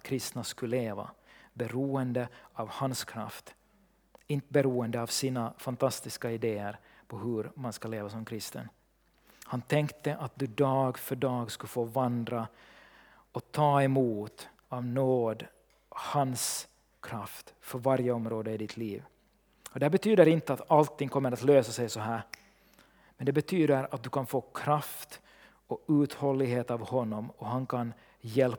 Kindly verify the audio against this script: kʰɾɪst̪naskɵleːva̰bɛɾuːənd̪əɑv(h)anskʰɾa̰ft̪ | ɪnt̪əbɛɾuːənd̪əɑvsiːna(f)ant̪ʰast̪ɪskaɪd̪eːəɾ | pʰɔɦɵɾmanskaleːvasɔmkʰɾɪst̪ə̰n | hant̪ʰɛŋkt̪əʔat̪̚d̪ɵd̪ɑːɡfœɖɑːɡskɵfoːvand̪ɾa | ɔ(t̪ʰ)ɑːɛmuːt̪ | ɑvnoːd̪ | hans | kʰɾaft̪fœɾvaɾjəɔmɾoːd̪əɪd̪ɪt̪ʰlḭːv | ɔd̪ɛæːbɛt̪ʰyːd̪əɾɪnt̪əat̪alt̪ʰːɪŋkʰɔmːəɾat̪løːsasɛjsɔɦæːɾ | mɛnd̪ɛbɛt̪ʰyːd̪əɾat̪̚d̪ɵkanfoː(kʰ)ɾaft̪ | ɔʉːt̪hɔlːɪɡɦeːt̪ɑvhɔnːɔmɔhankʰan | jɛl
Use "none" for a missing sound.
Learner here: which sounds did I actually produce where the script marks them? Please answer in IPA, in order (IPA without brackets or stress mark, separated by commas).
h, f, t̪ʰ, kʰ